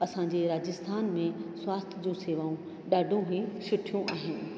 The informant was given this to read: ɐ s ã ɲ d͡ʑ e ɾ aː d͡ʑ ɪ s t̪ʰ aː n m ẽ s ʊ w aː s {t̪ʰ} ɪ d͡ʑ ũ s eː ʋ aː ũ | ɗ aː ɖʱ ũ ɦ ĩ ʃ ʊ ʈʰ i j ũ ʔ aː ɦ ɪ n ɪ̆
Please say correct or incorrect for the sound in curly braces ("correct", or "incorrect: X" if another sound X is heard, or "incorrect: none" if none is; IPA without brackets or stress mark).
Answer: correct